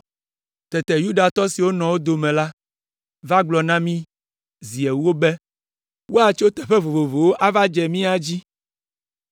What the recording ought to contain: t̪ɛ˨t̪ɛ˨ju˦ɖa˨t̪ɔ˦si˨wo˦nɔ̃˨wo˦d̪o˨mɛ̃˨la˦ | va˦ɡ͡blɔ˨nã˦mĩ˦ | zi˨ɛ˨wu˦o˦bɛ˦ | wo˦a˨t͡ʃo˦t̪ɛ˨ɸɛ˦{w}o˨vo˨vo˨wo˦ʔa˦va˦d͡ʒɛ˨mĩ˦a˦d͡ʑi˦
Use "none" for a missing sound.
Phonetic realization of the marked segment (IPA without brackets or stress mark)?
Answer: v